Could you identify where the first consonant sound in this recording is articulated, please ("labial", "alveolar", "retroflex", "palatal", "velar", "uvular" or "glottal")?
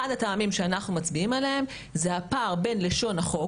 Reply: alveolar